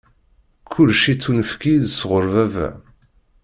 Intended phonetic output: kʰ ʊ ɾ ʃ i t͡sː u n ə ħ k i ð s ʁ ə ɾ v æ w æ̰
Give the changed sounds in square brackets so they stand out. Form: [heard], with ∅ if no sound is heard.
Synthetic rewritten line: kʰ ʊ [l] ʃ i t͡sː u n ə [f] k i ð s ʁ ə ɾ v æ [v] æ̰